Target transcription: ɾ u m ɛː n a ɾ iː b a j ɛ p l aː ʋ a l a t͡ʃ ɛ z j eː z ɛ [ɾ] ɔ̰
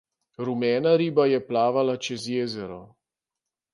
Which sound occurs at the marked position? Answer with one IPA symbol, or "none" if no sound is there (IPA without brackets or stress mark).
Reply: ɾ